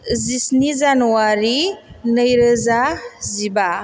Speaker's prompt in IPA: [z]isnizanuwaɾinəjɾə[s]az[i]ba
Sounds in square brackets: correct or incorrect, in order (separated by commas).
correct, incorrect, correct